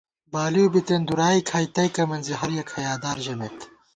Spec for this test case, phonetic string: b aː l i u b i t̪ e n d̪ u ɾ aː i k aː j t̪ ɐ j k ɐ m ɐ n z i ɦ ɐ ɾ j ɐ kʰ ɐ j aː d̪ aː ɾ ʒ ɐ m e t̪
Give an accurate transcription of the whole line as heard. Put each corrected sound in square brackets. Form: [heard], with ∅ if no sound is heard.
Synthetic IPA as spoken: b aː l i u b i t̪ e n d̪ u ɾ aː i [kʰ] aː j t̪ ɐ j k ɐ m ɐ n z i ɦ ɐ ɾ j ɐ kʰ ɐ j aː d̪ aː ɾ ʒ ɐ m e t̪